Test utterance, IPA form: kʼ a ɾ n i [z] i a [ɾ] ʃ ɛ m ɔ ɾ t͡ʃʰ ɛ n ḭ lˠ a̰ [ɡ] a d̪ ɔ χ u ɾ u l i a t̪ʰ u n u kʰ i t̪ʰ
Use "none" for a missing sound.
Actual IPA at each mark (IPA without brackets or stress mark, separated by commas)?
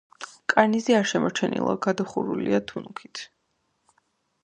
z, ɾ, ɡ